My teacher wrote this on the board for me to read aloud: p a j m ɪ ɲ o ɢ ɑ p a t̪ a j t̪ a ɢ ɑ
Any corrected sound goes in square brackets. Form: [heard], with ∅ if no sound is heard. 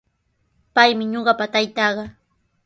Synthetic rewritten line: p a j m ɪ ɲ o ɢ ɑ p a t̪ a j t̪ [ɑ] ɢ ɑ